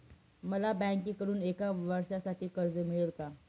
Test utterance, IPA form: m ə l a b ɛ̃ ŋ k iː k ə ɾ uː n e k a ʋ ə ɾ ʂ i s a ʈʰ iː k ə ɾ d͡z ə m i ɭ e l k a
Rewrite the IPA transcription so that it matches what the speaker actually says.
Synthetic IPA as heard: m ə l a b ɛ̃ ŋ k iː k ə ɾ uː n e k a ʋ ə ɾ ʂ a s a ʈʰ iː k ə ɾ d͡z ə m i ɭ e l k a